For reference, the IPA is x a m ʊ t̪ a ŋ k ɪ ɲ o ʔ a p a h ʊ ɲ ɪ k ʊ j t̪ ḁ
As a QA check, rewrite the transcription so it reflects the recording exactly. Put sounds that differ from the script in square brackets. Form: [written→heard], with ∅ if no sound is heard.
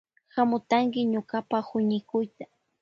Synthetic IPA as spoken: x a m ʊ t̪ a ŋ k ɪ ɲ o [ʔ→k] a p a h ʊ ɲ ɪ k ʊ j t̪ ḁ